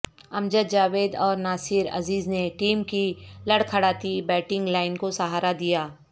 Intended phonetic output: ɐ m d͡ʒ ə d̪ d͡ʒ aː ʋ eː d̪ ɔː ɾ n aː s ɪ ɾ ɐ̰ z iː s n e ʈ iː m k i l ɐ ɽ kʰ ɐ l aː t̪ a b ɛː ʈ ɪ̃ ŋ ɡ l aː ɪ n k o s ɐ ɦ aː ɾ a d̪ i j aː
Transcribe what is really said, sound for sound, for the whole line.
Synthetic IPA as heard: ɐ m d͡ʒ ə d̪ d͡ʒ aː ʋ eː d̪ ɔː ɾ n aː s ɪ ɾ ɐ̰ z iː z n e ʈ iː m k i l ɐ ɽ kʰ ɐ ɽ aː t̪ i b ɛː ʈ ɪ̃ ŋ ɡ l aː ɪ n k o s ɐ ɦ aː ɾ a d̪ i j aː